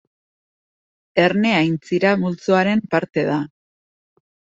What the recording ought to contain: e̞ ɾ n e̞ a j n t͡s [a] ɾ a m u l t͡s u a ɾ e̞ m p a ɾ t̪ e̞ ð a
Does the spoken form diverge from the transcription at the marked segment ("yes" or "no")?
yes